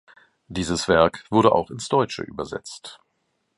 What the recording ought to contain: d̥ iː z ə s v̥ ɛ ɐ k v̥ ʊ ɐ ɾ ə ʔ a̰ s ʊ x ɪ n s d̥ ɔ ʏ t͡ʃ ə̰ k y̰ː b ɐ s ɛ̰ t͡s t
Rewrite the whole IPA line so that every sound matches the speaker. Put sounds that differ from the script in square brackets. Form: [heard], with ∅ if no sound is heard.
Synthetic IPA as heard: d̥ iː z ə s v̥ ɛ ɐ k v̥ ʊ ɐ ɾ ə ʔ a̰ [∅] ʊ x ɪ n s d̥ ɔ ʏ t͡ʃ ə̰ [ʔ] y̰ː b ɐ [z] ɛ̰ t͡s t